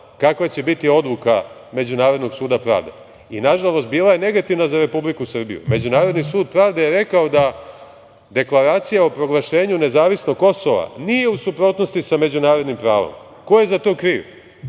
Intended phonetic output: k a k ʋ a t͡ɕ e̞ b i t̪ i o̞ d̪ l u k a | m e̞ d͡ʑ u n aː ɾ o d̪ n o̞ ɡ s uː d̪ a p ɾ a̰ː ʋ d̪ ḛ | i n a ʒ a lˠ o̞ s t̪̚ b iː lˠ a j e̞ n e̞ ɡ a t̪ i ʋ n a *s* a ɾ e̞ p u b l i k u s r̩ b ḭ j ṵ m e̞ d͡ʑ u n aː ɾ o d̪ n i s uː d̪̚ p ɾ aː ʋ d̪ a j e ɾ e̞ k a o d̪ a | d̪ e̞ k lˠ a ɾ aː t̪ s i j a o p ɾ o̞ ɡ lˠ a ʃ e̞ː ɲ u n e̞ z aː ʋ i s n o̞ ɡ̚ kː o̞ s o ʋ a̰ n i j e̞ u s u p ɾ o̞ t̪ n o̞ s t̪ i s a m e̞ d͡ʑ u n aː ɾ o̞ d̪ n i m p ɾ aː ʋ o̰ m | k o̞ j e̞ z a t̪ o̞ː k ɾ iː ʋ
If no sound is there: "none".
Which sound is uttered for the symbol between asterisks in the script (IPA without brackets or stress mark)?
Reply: z